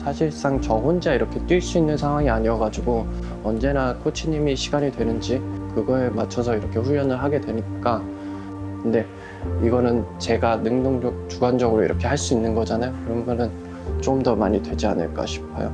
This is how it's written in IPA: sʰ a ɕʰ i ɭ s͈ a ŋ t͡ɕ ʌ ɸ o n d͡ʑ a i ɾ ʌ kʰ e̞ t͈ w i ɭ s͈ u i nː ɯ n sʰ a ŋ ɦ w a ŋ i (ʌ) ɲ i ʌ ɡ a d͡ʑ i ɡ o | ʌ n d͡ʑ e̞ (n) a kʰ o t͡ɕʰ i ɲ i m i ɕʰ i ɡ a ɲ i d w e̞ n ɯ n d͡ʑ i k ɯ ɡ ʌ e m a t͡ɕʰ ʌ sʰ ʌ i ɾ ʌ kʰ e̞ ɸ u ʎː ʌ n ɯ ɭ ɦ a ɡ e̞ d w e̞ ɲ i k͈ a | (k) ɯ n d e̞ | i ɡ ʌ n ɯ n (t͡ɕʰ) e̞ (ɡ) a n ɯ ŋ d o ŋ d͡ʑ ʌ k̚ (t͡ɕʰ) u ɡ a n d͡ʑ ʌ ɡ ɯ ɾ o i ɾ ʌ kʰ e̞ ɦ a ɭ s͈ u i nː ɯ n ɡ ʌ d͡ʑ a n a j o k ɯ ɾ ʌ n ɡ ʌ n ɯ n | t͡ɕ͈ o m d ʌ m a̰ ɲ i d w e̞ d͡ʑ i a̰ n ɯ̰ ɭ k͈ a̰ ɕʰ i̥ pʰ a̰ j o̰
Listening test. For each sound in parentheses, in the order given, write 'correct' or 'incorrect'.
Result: incorrect: a, correct, correct, incorrect: t͡ɕ, correct, incorrect: t͡ɕ

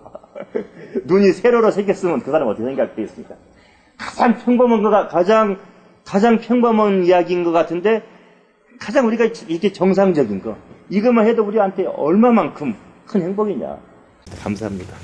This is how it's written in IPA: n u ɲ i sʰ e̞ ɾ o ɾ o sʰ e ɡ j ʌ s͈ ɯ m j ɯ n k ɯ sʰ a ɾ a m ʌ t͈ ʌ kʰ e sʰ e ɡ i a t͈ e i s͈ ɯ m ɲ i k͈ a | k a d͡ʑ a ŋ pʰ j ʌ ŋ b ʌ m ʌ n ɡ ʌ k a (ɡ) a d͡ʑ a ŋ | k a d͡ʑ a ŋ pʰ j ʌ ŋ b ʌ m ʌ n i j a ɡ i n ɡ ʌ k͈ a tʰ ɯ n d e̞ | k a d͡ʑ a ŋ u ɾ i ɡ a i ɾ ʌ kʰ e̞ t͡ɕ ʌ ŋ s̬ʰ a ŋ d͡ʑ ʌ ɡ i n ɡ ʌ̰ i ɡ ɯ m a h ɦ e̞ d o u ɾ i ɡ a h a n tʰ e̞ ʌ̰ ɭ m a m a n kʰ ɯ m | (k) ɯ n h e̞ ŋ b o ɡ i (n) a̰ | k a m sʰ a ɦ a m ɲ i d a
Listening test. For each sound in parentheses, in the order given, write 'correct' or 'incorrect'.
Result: incorrect: k, incorrect: kʰ, incorrect: ɲ

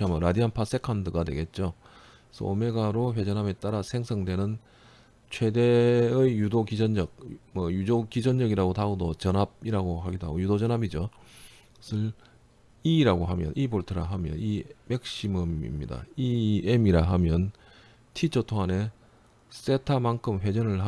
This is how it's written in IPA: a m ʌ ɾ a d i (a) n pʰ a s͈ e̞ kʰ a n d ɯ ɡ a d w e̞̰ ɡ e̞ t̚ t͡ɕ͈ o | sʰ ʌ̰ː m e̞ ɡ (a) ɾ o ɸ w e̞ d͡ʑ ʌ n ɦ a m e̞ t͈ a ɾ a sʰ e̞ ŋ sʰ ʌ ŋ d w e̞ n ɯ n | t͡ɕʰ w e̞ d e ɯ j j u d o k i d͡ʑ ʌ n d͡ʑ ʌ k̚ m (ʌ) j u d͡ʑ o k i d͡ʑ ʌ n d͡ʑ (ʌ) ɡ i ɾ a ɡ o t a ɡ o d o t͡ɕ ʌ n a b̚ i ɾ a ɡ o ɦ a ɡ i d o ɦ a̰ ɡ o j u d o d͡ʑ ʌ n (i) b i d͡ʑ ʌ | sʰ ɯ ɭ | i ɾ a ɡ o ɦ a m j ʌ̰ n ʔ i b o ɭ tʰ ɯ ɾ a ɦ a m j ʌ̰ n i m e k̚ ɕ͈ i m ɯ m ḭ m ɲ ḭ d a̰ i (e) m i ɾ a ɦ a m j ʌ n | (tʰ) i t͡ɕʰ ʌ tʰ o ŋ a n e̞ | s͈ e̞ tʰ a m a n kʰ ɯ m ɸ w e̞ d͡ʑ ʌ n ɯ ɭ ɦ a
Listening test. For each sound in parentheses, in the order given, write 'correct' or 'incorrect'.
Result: correct, correct, correct, correct, incorrect: a, correct, correct

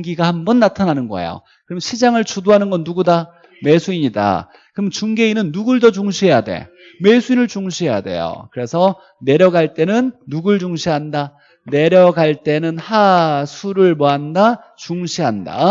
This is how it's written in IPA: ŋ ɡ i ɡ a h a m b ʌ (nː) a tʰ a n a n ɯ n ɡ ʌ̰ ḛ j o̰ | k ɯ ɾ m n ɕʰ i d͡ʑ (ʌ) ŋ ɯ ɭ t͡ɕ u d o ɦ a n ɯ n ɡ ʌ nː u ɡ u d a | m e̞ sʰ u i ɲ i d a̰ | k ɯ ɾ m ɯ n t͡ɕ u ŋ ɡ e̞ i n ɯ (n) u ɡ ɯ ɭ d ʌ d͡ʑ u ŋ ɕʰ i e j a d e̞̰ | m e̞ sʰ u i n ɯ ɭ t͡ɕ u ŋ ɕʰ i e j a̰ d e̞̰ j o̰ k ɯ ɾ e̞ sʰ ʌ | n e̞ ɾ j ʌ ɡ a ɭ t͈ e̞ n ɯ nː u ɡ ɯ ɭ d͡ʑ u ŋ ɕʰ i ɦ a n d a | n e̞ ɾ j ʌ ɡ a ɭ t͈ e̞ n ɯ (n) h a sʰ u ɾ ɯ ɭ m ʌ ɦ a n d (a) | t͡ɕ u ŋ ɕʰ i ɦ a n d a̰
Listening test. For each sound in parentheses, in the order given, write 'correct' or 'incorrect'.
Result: correct, incorrect: a, incorrect: nː, correct, correct

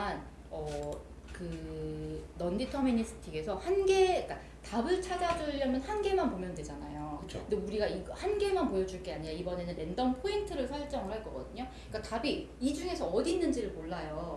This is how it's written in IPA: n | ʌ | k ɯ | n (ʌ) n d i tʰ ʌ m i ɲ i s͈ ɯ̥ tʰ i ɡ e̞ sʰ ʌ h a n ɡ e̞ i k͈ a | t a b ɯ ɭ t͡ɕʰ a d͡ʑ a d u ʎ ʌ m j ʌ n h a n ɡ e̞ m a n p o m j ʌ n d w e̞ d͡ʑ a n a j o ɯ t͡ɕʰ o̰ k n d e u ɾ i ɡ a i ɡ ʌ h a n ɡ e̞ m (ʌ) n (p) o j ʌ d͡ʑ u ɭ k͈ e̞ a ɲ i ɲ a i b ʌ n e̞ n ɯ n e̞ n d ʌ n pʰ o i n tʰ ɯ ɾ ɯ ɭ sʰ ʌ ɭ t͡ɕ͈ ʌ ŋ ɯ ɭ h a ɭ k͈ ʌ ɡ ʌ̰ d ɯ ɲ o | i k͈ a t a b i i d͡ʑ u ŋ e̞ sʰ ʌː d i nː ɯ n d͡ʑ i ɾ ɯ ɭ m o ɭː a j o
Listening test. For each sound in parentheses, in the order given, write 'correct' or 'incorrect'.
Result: correct, incorrect: a, correct

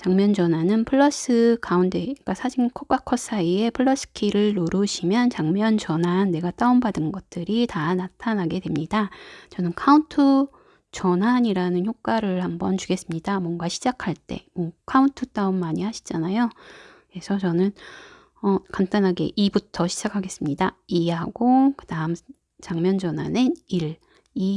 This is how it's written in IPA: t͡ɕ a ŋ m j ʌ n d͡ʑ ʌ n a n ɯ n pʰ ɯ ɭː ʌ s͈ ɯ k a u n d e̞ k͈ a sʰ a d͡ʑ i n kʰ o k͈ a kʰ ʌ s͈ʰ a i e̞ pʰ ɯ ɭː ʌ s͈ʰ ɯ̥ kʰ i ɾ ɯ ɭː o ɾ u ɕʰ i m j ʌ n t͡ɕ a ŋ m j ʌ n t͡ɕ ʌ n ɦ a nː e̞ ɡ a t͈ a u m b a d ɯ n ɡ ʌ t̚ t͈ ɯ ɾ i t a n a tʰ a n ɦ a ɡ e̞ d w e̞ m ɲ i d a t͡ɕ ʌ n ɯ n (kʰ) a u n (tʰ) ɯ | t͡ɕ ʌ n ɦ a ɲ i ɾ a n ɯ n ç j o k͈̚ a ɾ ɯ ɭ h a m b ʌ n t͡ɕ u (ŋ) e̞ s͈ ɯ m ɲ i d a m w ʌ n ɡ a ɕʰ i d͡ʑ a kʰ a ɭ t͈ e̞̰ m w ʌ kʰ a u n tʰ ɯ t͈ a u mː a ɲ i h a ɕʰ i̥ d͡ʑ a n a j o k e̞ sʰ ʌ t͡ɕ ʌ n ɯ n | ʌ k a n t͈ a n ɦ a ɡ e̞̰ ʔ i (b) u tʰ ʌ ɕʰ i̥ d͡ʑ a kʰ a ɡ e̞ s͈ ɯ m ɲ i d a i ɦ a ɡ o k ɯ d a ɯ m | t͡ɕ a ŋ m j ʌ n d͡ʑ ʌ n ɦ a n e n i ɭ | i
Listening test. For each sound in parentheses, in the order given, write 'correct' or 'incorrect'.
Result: correct, correct, incorrect: ɡ, correct

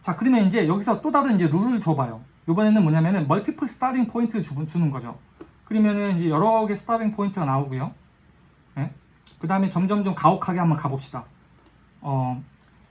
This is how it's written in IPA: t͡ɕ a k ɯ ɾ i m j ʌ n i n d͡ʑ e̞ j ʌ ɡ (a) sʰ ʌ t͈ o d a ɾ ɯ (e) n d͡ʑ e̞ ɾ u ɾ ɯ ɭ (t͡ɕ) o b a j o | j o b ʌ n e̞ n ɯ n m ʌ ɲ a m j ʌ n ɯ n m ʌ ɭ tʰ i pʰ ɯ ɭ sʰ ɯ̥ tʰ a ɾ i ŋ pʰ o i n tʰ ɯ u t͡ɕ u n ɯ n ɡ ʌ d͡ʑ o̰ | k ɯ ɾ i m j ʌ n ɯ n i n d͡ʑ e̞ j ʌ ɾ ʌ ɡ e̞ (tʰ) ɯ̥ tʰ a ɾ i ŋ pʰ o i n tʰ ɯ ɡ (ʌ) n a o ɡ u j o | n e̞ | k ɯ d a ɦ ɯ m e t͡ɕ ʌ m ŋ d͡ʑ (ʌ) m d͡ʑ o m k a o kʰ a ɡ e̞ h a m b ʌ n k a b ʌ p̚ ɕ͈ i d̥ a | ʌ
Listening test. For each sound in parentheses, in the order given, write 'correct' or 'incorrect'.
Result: incorrect: i, incorrect: i, correct, incorrect: sʰ, incorrect: a, correct

